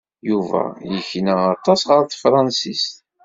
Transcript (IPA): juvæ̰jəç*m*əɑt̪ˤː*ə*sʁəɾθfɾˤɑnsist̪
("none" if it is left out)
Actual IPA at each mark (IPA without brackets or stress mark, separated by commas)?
n, ɑ